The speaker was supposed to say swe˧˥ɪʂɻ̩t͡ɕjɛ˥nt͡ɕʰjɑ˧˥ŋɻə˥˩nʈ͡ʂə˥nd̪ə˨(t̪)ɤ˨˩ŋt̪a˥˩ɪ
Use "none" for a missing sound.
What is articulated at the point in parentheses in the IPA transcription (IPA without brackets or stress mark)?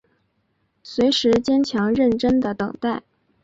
t̪